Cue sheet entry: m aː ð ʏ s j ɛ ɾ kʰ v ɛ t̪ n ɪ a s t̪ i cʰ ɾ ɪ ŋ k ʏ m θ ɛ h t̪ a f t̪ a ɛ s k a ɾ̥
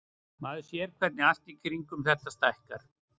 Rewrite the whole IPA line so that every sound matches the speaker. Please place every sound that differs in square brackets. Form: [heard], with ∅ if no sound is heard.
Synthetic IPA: m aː ð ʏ s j ɛ ɾ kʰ v ɛ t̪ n ɪ a s t̪ i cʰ ɾ [i] ŋ k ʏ m θ ɛ h t̪ a [s] t̪ a ɛ [h] k a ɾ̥